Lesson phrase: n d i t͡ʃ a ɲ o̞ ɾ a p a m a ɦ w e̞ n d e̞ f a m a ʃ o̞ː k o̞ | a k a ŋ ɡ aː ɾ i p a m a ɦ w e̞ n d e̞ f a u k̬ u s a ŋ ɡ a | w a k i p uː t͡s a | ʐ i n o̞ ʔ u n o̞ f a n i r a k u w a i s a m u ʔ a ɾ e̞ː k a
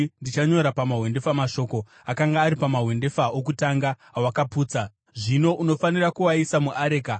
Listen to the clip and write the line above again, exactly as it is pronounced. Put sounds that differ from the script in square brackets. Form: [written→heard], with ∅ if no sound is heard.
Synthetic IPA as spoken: n d i t͡ʃ a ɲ o̞ ɾ a p a m a ɦ w e̞ n d e̞ f a m a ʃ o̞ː k o̞ | a k a ŋ ɡ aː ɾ i p a m a ɦ w e̞ n d e̞ f a [u→o] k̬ u [s→t] a ŋ ɡ a | w a k [i→a] p uː t͡s a | ʐ i n o̞ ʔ u n o̞ f a n i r a k u w a i s a m u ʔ a ɾ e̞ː k a